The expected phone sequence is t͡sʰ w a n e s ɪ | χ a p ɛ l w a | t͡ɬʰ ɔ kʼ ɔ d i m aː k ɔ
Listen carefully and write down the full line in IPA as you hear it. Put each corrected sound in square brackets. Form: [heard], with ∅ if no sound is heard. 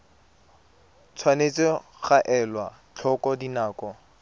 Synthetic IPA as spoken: t͡sʰ w a n e [t͡s] ɪ | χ a [ʔ] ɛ l w a | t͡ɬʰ ɔ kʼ ɔ d i [n] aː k ɔ